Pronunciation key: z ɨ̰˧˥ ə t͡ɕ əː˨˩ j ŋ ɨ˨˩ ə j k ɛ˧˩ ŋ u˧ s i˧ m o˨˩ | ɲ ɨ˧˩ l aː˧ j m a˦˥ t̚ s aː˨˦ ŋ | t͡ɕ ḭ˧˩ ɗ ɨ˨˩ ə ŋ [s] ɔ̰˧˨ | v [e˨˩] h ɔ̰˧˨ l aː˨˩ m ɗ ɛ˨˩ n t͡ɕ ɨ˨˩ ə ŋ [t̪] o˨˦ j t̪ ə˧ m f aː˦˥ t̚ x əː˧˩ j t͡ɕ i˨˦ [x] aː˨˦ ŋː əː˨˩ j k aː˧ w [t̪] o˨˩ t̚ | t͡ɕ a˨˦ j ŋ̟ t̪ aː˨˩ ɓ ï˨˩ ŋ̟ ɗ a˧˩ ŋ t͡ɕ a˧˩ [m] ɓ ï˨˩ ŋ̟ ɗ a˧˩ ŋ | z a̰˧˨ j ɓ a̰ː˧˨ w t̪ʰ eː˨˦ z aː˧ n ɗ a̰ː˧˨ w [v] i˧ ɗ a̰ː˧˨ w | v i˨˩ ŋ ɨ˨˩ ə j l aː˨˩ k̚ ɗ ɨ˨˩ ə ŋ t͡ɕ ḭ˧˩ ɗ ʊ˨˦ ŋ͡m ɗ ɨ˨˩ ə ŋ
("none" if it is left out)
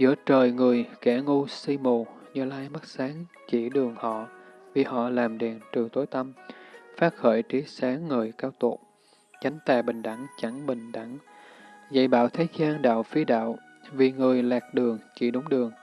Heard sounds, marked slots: h, i˨˩, t̪, s, t̪, ŋ, f

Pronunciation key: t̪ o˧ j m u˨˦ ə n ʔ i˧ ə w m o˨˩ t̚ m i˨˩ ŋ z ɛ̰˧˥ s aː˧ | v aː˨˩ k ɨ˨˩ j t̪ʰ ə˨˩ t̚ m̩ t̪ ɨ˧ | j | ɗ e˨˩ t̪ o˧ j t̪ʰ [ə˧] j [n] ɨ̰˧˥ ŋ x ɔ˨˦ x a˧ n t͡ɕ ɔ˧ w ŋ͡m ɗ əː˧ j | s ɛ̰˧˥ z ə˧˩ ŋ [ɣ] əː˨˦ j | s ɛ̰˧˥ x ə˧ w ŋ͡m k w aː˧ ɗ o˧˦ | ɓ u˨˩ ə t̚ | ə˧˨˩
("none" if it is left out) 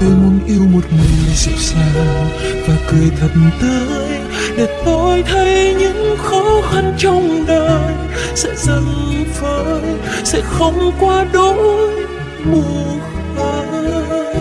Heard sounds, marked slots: ə˧, ɲ, v

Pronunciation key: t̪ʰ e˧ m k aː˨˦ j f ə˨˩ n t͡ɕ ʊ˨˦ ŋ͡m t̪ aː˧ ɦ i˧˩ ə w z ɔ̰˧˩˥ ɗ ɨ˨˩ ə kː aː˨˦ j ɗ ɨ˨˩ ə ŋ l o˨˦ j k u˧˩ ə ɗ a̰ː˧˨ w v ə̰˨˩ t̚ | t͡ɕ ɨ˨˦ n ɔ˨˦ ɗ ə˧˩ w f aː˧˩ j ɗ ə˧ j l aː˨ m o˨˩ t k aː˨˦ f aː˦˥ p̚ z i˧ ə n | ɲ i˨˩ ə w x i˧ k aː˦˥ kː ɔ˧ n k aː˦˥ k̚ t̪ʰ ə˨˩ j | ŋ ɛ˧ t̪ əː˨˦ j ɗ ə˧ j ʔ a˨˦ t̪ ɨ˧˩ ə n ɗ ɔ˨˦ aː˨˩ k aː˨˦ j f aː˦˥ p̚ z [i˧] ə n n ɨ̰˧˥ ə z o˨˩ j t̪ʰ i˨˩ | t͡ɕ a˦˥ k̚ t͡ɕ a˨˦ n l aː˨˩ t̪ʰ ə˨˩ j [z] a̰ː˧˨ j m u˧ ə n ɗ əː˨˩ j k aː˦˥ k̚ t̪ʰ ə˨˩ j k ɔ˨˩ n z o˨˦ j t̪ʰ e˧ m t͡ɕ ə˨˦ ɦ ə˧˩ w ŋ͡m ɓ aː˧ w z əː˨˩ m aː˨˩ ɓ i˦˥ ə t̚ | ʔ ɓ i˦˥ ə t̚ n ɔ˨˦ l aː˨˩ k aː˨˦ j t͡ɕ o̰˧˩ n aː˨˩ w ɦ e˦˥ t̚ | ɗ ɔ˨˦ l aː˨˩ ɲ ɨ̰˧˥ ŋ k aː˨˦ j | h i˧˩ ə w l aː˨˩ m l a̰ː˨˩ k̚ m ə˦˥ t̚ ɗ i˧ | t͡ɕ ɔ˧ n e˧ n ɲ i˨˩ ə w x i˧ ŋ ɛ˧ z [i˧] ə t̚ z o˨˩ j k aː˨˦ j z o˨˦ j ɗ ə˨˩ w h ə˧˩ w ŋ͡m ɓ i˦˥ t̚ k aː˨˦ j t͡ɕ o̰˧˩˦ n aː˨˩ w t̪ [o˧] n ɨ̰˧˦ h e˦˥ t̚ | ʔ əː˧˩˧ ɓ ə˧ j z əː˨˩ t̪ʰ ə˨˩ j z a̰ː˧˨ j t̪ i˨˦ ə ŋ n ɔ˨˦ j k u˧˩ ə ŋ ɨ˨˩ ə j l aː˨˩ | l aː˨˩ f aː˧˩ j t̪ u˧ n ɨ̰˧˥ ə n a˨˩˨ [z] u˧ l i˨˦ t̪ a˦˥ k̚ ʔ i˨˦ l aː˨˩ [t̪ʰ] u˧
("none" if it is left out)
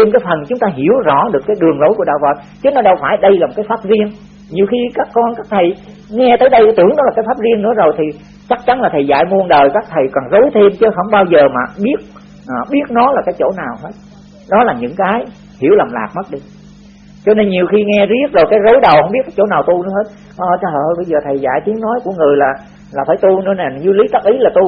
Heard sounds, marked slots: i˧, z, i˦˥, u˧, z, t̪

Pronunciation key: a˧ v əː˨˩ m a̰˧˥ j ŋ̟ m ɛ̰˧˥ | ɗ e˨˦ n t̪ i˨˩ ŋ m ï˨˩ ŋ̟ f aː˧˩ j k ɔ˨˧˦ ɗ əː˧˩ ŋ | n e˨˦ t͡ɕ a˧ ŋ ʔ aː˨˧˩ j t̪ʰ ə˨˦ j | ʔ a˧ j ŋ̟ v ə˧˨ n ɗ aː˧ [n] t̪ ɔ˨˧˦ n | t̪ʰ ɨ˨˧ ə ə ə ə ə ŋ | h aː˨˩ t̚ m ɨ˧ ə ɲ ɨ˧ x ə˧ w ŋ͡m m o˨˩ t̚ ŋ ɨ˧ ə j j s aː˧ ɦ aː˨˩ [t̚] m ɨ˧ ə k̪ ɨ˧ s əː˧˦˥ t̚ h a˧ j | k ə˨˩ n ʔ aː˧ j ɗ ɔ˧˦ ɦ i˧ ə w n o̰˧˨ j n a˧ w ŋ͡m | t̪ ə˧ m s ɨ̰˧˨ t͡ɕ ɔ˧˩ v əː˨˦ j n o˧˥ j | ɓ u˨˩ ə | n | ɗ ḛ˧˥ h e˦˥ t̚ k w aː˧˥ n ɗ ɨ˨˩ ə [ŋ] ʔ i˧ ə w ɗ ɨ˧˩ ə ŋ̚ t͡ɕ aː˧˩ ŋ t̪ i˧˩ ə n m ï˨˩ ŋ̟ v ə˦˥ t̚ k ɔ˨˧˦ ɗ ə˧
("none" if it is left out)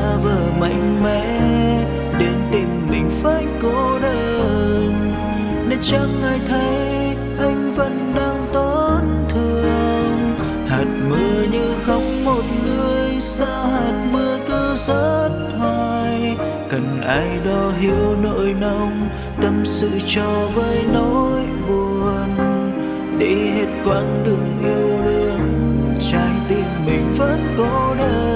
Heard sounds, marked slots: ŋ, t̚, ŋ

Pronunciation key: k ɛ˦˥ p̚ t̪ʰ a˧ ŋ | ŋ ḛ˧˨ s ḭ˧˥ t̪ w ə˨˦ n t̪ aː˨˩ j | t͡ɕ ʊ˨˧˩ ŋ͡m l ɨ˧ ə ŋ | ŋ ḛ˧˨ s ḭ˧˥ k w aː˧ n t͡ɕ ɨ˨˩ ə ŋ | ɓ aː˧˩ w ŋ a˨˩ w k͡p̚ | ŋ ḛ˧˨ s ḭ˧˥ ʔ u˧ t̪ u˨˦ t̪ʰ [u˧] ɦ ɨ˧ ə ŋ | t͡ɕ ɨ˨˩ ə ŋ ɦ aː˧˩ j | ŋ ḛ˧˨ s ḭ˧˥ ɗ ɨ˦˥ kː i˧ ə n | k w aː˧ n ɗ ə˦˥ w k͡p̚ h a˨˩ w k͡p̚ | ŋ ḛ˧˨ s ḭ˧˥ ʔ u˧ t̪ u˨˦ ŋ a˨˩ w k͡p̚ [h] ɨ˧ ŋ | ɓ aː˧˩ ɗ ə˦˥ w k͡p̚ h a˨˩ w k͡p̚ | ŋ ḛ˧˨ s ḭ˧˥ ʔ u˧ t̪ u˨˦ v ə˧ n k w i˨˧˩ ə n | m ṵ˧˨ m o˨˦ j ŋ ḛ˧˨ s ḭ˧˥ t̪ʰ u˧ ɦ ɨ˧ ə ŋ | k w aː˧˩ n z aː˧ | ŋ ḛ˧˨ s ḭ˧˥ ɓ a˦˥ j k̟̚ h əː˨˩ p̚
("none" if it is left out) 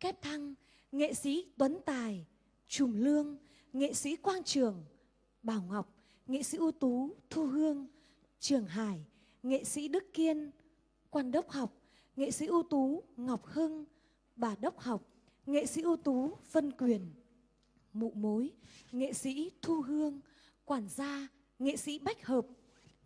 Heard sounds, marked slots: u˧, h

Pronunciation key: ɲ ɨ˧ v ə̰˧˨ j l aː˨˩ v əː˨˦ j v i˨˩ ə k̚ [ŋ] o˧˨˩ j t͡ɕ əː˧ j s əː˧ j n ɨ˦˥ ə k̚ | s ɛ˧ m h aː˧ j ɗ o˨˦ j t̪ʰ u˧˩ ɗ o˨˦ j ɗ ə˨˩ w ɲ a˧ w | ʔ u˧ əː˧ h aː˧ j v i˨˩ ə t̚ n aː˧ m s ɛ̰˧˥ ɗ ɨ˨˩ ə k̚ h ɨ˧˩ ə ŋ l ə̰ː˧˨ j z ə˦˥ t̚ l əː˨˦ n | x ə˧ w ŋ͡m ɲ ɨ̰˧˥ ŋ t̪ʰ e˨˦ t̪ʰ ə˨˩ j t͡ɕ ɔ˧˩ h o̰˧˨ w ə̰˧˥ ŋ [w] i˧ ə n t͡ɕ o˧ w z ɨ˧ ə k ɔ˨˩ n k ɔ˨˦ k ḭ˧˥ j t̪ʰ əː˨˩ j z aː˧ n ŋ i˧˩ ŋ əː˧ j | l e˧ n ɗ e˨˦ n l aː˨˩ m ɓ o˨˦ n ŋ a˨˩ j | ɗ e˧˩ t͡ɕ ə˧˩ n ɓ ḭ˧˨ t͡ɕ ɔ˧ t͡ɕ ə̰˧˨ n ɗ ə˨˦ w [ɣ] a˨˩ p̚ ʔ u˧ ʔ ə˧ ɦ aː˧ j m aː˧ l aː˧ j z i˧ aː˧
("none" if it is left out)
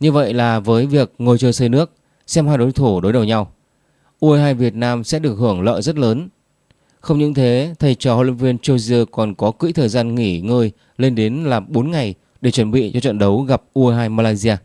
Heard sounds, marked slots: ŋ, v, ɣ

